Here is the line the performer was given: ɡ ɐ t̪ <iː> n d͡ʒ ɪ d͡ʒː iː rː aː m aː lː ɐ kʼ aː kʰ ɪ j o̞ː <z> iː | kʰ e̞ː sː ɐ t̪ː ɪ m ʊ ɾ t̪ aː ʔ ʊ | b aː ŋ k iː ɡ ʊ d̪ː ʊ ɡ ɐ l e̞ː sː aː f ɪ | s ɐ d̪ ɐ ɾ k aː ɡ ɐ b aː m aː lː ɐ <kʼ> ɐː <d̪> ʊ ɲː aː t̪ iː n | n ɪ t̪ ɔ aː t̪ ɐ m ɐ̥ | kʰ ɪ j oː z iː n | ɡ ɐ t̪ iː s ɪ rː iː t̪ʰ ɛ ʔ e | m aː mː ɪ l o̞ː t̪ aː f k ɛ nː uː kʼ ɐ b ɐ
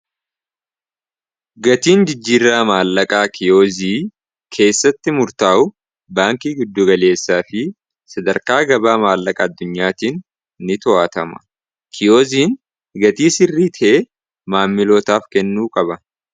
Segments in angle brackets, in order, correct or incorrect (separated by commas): correct, correct, correct, incorrect